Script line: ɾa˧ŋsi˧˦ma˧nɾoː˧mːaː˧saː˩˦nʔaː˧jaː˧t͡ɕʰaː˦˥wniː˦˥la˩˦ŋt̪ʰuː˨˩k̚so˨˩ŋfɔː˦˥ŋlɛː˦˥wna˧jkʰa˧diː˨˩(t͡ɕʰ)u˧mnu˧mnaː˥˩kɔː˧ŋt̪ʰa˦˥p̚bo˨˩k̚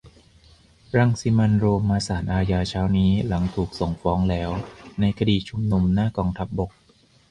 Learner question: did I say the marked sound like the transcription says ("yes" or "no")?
yes